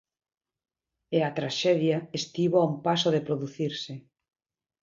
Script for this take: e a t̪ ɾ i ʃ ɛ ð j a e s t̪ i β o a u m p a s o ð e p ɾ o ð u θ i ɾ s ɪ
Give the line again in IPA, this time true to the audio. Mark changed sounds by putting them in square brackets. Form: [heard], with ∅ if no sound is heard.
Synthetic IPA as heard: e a t̪ ɾ [a] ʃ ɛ ð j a e s t̪ i β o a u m p a s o ð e p ɾ o ð u θ i ɾ s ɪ